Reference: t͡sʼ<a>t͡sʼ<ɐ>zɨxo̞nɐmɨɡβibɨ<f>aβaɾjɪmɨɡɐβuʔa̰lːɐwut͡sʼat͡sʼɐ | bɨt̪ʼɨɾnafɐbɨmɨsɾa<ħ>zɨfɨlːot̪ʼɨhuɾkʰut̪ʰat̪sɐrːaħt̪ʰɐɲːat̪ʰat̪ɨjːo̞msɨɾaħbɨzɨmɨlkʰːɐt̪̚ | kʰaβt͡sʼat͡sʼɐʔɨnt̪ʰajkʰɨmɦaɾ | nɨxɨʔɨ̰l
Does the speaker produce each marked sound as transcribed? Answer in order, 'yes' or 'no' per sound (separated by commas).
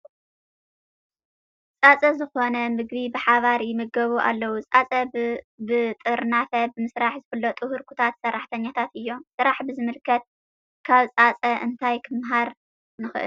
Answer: yes, yes, no, yes